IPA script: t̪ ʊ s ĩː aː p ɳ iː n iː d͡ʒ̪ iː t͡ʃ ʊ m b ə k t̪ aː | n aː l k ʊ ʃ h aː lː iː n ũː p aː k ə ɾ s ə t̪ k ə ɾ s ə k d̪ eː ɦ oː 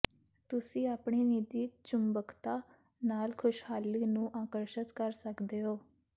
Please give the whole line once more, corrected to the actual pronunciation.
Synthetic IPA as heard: t̪ ʊ s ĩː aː p ɳ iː n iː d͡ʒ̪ iː t͡ʃ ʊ m b ə k t̪ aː | n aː l kʰ ʊ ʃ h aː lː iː n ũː ʔ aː k ə ɾ ʃ ə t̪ k ə ɾ s ə k d̪ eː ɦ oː